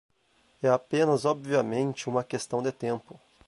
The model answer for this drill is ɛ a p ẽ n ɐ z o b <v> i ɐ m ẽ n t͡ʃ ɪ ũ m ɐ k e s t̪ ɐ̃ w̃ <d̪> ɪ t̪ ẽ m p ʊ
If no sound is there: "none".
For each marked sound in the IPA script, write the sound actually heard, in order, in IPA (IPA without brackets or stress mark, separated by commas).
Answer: v, d̪